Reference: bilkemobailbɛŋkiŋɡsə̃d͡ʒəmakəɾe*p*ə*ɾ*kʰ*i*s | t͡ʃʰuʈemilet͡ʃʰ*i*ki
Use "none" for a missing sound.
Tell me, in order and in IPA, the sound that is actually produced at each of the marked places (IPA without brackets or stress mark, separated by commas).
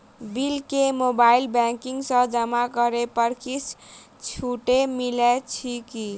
p, ɾ, i, i